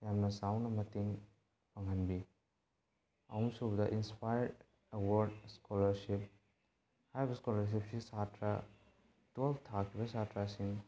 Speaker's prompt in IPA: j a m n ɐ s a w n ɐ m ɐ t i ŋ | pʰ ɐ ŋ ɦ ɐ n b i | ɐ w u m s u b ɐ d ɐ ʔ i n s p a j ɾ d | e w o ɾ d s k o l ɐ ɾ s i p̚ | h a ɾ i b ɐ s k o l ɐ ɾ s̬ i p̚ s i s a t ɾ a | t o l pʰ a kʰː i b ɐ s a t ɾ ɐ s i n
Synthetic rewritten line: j a m n ɐ s a w n ɐ m ɐ t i ŋ | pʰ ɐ ŋ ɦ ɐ n b i | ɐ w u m s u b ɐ d ɐ ʔ i n s p a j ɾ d | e w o ɾ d s k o l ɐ ɾ s i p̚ | h a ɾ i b ɐ s k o l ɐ ɾ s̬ i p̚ s i s a t ɾ a | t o l tʰ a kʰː i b ɐ s a t ɾ a s i ŋ